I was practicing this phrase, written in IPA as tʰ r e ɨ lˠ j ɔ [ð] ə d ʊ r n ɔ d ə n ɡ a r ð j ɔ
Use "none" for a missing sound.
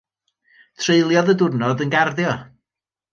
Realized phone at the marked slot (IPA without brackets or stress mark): ð